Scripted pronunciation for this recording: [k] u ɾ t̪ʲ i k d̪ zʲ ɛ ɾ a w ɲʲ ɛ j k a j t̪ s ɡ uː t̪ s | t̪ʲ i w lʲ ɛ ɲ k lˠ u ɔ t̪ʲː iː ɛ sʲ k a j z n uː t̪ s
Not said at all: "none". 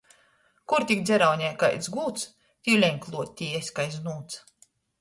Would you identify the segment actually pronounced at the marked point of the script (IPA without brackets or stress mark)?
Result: k